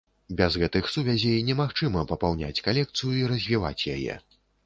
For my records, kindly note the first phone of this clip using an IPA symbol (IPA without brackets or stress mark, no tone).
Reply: bʲ